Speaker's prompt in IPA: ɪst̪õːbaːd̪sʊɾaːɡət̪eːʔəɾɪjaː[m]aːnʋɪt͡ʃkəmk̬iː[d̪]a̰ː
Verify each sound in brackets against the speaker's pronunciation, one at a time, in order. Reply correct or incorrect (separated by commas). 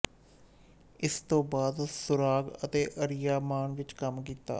correct, incorrect